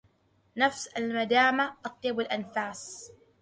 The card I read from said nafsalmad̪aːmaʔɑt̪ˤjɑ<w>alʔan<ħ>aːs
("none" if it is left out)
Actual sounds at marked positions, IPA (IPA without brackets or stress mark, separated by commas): b, f